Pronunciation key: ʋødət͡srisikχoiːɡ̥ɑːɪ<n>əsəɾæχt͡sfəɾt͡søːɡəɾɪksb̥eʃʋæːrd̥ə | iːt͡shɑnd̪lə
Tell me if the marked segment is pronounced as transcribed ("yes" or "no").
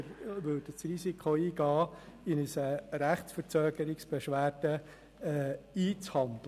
yes